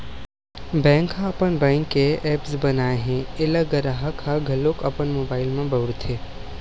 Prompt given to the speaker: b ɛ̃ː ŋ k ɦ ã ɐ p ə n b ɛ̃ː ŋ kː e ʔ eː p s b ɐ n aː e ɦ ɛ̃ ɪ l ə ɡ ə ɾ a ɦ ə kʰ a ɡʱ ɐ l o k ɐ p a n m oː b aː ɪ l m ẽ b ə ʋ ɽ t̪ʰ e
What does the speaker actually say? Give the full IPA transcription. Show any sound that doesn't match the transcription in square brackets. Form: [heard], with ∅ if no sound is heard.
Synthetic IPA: b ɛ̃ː ŋ k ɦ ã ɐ p ə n b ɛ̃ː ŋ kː e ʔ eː p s b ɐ n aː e ɦ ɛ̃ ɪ l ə ɡ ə ɾ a ɦ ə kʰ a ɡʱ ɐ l o k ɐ p [ə] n m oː b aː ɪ l m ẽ b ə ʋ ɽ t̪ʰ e